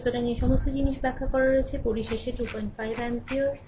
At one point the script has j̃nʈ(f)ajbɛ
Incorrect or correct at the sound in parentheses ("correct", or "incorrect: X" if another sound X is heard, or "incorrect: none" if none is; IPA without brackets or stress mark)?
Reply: correct